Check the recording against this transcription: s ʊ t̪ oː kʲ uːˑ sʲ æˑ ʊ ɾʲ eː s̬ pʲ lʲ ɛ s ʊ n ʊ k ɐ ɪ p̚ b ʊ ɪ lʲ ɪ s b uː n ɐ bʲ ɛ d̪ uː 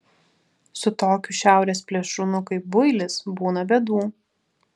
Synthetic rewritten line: s ʊ t̪ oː kʲ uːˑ ʃʲ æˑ ʊ ɾʲ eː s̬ pʲ lʲ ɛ ʃ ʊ n ʊ k ɐ ɪ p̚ b ʊ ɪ lʲ ɪ s b uː n ɐ bʲ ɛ d̪ uː

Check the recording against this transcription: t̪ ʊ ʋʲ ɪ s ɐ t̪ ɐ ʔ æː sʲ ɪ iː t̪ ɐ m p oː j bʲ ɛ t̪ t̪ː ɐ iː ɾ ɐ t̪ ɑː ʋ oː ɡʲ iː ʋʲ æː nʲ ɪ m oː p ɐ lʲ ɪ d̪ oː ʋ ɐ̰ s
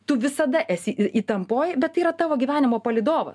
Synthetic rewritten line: t̪ ʊ ʋʲ ɪ s ɐ d̪ ɐ ʔ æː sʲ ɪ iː t̪ ɐ m p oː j bʲ ɛ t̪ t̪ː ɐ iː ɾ ɐ t̪ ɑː ʋ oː ɡʲ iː ʋʲ æː nʲ ɪ m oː p ɐ lʲ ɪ d̪ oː ʋ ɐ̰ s

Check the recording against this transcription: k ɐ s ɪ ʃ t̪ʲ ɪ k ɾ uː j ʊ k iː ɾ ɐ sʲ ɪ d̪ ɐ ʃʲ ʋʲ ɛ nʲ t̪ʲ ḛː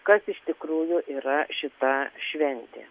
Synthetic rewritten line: k ɐ s ɪ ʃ t̪ʲ ɪ k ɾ uː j ʊ ʔ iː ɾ ɐ ʃʲ ɪ t̪ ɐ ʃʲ ʋʲ ɛ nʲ t̪ʲ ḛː

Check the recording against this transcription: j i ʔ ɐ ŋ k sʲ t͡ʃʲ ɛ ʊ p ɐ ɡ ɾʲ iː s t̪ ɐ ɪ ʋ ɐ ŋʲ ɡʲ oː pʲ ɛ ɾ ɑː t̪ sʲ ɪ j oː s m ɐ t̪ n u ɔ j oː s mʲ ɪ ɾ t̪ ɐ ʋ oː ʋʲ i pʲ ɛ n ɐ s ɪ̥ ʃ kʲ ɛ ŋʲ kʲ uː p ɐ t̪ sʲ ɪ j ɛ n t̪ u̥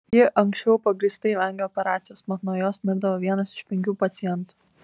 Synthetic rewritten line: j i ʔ ɐ ŋ k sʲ t͡ʃʲ ɛ ʊ p ɐ ɡ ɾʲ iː s t̪ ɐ ɪ ʋ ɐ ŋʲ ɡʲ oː pʲ ɛ ɾ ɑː t̪ sʲ ɪ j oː s m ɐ t̪ n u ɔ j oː s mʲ ɪ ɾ d̪ ɐ ʋ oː ʋʲ i ɛ n ɐ s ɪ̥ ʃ pʲ ɛ ŋʲ kʲ uː p ɐ t̪ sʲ ɪ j ɛ n t̪ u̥

